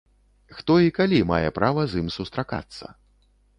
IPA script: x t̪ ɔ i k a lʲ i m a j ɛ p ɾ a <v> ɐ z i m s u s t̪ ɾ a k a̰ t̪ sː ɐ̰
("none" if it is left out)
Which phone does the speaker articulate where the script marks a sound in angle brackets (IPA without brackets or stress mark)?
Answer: v